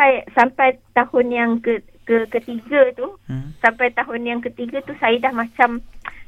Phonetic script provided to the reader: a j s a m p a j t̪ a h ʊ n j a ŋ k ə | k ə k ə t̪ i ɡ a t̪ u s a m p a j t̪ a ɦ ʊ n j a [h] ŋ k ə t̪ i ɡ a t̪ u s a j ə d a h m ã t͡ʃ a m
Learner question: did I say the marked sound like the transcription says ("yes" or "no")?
no